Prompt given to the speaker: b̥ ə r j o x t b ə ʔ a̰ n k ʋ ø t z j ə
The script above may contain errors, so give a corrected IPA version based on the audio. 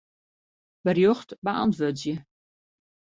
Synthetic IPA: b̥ ə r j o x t b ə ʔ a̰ n t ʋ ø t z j ə